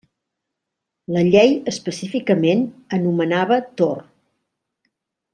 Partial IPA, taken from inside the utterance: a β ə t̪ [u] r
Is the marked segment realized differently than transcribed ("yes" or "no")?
yes